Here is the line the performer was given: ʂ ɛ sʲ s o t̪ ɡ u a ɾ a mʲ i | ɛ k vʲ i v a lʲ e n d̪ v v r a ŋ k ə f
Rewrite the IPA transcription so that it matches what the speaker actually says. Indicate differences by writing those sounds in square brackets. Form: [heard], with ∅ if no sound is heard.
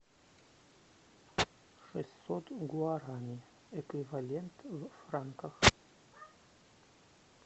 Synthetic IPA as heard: ʂ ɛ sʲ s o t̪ ɡ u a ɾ a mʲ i | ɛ k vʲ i v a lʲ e n [t̪] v [f] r a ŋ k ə [x]